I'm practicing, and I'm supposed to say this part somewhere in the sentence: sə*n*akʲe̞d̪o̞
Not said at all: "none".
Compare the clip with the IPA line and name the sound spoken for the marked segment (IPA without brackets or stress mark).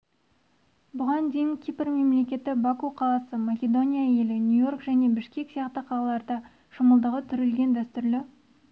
m